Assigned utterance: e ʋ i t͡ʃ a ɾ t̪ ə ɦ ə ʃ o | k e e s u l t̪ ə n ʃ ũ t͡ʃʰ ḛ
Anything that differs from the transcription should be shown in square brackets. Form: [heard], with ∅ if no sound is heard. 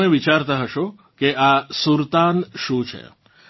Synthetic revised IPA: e ʋ i t͡ʃ a ɾ t̪ [a] ɦ ə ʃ o | k e [a] s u [ɾ] t̪ [a] n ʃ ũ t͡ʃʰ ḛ